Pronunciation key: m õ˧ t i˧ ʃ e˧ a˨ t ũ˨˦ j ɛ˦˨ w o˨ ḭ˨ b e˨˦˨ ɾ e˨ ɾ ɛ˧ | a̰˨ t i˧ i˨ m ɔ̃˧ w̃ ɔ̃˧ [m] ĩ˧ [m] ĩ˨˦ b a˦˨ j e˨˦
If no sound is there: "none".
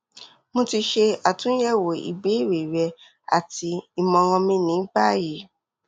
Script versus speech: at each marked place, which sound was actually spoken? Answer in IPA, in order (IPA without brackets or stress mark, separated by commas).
m, n